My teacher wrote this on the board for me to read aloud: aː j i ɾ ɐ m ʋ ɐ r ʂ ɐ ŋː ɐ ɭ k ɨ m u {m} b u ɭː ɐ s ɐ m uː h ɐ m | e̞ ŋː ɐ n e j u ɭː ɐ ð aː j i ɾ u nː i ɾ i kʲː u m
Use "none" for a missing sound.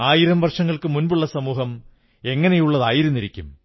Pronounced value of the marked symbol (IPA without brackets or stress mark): n